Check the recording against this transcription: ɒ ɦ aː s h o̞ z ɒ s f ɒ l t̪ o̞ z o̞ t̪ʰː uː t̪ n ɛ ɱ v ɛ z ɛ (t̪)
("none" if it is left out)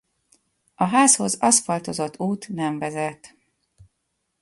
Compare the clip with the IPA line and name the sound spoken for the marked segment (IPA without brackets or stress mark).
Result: t̪